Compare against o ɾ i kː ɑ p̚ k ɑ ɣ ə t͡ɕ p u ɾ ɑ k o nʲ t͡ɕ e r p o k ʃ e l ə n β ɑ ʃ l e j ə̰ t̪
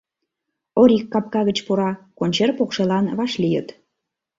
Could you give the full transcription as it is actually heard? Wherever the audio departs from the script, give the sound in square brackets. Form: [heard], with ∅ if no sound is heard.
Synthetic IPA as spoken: o ɾ i kː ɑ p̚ k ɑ ɣ ə t͡ɕ p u ɾ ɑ k o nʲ t͡ɕ e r p o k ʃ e l [ɑ] n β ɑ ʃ l [i] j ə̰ t̪